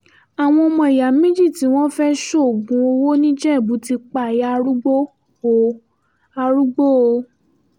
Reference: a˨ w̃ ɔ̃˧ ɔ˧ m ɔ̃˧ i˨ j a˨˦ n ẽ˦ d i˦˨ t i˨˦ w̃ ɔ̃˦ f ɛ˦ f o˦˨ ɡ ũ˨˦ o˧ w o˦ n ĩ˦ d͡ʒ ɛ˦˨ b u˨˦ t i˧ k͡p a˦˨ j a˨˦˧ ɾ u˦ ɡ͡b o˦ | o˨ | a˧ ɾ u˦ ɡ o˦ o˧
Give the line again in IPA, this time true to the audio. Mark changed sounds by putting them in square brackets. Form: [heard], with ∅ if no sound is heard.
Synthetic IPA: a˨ w̃ ɔ̃˧ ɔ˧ m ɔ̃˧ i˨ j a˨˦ [m] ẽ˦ [d͡ʒ] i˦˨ t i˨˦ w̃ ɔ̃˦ f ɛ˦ [ʃ] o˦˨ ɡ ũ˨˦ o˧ w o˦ n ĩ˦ d͡ʒ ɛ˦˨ b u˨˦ t i˧ k͡p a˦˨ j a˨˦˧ ɾ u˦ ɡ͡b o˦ | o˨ | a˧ ɾ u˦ [ɡ͡b] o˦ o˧